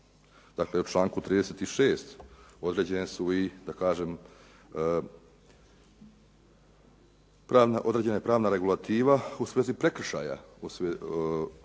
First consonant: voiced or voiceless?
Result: voiced